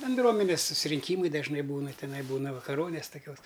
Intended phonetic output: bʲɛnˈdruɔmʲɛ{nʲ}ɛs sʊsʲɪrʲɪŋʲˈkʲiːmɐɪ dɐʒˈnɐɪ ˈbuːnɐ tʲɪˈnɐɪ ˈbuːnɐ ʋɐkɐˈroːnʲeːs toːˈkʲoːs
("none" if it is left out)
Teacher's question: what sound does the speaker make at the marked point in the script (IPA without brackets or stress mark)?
nʲ